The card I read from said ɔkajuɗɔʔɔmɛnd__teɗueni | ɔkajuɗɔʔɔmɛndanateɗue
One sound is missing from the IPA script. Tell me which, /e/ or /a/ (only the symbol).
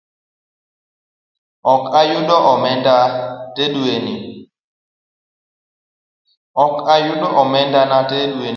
a